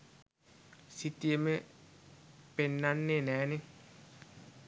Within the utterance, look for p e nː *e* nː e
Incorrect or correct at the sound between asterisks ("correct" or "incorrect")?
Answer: incorrect